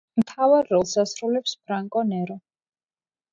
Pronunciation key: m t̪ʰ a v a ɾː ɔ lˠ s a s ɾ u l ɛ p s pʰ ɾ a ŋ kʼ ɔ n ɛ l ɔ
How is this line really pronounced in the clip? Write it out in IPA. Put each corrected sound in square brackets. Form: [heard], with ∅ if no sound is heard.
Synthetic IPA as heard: m t̪ʰ a v a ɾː ɔ lˠ s a s ɾ u l ɛ p s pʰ ɾ a ŋ kʼ ɔ n ɛ [ɾ] ɔ